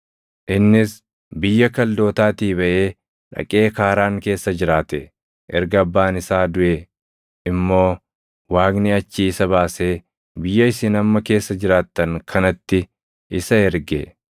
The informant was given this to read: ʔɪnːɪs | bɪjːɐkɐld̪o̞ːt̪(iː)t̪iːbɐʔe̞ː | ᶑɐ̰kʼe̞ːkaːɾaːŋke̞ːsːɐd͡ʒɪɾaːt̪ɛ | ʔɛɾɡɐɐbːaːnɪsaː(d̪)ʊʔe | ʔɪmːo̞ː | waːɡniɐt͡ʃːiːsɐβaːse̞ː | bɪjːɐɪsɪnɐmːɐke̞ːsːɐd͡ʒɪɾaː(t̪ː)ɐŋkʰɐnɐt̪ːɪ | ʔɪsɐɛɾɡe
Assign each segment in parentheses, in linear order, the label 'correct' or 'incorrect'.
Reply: incorrect, correct, correct

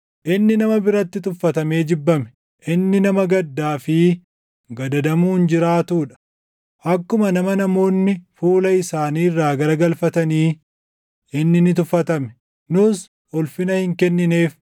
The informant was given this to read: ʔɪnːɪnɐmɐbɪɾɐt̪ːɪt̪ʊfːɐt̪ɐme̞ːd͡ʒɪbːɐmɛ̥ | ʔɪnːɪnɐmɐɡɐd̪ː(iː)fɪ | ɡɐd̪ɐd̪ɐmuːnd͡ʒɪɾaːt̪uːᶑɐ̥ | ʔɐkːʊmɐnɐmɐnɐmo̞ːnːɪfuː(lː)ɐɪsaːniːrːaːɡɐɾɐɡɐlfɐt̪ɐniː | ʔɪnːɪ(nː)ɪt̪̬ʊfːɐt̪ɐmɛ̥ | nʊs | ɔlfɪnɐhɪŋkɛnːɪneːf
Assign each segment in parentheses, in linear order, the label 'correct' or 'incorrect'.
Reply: incorrect, incorrect, incorrect

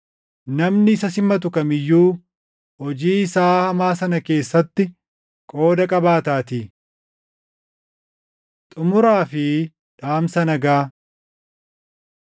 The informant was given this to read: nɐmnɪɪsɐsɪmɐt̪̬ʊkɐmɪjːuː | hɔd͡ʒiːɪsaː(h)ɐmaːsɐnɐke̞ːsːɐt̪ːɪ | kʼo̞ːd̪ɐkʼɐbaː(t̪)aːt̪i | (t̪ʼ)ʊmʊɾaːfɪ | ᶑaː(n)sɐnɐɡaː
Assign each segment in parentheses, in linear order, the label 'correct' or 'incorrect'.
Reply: correct, correct, correct, incorrect

